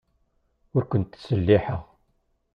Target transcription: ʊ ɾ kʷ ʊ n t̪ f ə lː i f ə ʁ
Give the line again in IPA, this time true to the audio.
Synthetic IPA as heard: ʊ ɾ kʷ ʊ n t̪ s ə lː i ħ ə ʁ